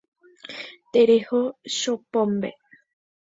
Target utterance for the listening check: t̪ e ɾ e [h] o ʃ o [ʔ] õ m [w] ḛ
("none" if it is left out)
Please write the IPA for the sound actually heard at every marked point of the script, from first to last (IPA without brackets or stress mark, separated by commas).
h, p, b